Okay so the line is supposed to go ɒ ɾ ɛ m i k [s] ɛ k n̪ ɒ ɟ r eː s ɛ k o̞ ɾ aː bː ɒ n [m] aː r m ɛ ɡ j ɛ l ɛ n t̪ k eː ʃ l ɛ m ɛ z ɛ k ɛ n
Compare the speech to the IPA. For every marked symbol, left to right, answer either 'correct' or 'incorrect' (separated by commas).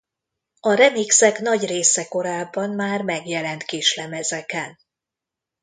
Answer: correct, correct